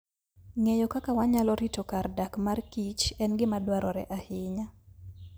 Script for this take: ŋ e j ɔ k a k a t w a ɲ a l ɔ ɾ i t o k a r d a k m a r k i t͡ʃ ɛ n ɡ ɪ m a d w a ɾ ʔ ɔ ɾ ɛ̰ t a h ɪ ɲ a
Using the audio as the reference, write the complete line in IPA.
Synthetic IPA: ŋ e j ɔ k a k a w a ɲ a l ɔ ɾ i t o k a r d a k m a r k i t͡ʃ ɛ n ɡ ɪ m a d w a ɾ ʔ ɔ ɾ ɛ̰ ʔ a h ɪ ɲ a